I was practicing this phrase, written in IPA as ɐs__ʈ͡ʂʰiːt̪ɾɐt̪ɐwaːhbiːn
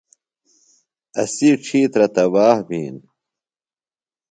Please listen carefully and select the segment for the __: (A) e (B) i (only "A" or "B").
B